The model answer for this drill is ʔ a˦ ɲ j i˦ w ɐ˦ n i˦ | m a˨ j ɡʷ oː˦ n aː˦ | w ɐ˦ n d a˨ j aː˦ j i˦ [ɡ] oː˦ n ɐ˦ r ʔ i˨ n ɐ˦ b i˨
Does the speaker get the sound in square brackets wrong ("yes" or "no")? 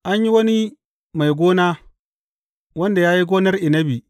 no